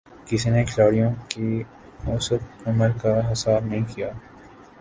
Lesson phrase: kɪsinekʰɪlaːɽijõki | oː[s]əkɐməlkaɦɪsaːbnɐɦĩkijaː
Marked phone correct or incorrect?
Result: correct